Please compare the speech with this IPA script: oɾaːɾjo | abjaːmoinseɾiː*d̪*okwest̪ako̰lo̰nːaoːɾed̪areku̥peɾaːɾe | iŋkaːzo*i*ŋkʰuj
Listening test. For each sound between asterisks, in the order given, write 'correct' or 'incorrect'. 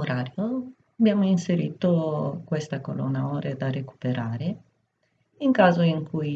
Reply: incorrect: t̪, correct

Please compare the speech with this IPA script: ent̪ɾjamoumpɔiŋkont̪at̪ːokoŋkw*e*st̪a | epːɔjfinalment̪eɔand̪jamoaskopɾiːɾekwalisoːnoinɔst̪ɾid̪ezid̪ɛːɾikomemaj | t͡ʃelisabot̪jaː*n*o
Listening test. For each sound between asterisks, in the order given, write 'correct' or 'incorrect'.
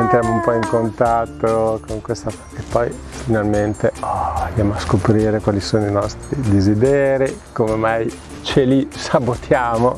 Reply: correct, incorrect: m

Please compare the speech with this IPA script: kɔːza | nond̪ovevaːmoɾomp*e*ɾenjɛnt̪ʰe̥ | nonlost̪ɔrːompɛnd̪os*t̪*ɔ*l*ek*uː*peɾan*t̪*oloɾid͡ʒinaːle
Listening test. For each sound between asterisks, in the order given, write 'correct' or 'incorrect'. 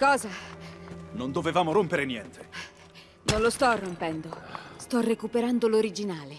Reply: correct, correct, incorrect: r, incorrect: u, incorrect: d̪

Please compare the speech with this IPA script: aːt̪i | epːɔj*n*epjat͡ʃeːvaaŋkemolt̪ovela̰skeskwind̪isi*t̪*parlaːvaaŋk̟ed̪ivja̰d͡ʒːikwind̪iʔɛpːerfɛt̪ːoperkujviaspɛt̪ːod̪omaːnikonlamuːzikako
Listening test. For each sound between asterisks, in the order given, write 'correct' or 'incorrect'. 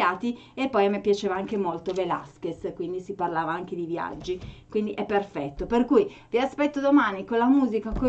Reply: incorrect: m, incorrect: none

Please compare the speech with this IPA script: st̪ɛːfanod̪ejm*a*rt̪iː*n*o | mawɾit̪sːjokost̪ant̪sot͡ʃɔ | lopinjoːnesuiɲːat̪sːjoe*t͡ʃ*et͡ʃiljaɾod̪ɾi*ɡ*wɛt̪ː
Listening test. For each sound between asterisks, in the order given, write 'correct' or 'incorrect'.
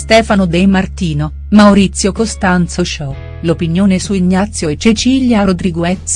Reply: correct, correct, correct, correct

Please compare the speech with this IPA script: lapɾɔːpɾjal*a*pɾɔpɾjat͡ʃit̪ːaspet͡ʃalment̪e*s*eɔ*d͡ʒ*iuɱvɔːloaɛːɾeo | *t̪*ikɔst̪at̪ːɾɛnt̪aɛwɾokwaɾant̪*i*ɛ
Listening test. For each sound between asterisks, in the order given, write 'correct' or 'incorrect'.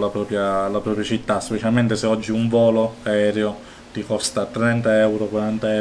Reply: correct, correct, incorrect: d͡ʒː, correct, incorrect: a

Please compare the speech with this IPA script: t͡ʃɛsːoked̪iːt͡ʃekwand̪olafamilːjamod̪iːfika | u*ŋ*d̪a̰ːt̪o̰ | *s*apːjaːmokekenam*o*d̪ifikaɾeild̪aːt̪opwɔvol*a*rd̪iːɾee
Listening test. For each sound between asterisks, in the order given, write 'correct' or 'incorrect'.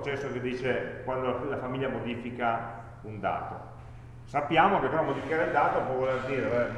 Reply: incorrect: n, correct, correct, incorrect: e

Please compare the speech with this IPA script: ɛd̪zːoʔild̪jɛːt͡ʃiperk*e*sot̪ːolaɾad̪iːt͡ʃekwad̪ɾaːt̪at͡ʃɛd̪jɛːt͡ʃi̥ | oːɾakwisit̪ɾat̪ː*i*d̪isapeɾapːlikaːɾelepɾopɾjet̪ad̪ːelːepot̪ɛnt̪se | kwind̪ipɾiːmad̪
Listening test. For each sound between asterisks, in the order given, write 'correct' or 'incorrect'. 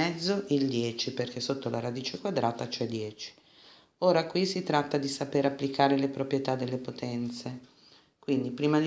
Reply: correct, incorrect: a

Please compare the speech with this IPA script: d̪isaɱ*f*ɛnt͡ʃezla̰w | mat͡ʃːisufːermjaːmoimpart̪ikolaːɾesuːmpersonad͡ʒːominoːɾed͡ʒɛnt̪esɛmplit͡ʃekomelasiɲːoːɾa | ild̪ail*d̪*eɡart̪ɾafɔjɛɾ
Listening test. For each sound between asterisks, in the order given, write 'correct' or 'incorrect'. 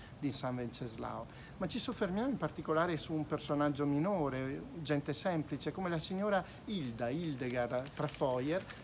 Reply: incorrect: v, correct

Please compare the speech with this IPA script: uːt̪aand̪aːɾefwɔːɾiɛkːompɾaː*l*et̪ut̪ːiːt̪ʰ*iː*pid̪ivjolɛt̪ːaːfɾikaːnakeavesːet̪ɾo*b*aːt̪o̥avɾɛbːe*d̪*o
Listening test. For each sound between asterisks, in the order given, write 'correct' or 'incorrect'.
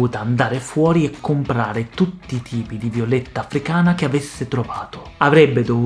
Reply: incorrect: ɾ, correct, incorrect: v, correct

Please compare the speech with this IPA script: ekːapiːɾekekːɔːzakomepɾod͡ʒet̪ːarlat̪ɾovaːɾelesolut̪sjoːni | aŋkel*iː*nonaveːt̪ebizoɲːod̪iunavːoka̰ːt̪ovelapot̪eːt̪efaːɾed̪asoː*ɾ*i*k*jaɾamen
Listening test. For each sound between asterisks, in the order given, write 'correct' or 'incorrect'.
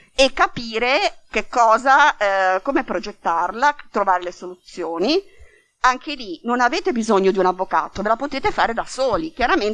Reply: incorrect: i, incorrect: l, correct

